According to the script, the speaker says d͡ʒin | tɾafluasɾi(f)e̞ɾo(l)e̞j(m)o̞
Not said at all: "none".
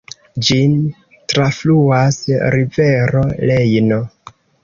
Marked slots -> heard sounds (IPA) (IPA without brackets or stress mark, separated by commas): v, l, n